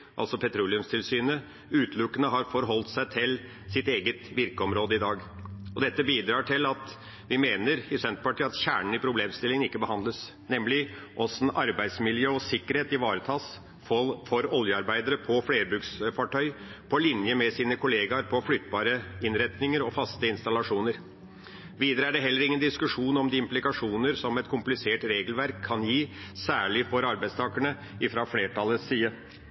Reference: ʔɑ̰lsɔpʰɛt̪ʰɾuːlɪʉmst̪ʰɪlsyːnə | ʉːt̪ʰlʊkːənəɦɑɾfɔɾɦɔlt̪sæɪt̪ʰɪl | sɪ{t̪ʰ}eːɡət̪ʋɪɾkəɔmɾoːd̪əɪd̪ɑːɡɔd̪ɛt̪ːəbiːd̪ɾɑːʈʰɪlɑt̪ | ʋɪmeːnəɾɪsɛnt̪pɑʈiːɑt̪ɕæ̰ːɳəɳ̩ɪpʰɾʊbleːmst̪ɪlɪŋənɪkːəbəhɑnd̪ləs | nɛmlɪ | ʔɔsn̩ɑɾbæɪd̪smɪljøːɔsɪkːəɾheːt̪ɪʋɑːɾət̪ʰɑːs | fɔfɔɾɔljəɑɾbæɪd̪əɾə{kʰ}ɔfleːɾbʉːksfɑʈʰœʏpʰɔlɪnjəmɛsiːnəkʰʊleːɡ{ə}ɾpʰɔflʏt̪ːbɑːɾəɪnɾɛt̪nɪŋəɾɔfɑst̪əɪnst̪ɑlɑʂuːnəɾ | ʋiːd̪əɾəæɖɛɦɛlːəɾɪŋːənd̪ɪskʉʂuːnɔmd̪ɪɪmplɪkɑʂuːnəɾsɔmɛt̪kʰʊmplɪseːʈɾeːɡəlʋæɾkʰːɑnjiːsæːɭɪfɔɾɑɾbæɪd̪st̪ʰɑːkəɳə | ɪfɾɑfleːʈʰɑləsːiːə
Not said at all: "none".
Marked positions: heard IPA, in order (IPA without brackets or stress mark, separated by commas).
t̪, pʰ, ɑ